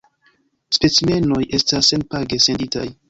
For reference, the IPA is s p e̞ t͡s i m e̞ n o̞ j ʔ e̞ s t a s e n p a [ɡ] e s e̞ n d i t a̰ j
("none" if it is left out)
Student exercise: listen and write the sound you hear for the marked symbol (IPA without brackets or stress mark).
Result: ɡ